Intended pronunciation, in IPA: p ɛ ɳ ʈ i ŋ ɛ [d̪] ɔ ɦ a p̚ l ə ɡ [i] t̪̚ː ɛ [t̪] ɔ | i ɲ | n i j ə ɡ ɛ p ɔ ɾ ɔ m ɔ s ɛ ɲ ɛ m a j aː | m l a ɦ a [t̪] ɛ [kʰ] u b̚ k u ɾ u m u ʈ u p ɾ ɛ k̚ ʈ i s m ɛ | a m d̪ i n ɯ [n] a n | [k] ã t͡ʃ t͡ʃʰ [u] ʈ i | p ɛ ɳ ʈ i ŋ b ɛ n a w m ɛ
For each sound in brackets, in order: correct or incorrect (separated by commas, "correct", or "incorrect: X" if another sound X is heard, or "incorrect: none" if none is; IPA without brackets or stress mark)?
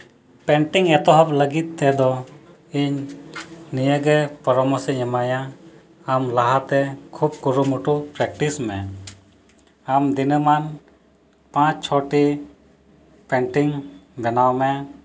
incorrect: t̪, correct, incorrect: d̪, correct, correct, incorrect: m, incorrect: p, incorrect: ɔ